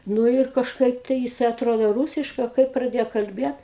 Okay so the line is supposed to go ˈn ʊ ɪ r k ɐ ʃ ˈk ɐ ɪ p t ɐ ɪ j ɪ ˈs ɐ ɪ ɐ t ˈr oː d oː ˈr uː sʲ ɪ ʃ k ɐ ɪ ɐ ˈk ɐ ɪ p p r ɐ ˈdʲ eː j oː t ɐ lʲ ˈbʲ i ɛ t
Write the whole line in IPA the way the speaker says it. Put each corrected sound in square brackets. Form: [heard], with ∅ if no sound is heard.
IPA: ˈn ʊ ɪ r k ɐ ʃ ˈk ɐ ɪ p t ɐ ɪ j ɪ ˈs ɐ ɪ ɐ t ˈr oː d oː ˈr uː sʲ ɪ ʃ k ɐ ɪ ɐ ˈk ɐ ɪ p p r ɐ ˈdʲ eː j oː [k] ɐ lʲ ˈbʲ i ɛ t